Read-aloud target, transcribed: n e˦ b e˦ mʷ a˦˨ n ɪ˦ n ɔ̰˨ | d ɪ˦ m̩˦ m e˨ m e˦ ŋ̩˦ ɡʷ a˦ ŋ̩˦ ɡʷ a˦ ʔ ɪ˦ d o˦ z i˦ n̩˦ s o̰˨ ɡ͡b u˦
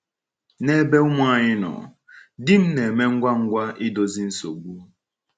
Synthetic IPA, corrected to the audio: n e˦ b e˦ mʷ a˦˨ ɲ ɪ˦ n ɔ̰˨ | d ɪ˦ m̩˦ n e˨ m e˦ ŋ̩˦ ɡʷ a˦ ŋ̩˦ ɡʷ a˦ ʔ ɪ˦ d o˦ z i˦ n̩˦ s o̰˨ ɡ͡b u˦